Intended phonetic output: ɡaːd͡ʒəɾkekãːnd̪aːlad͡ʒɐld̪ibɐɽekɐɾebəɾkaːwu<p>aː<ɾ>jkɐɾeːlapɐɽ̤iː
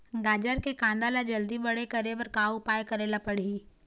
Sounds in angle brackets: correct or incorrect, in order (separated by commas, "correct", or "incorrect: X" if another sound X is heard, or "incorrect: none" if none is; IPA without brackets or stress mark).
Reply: correct, incorrect: none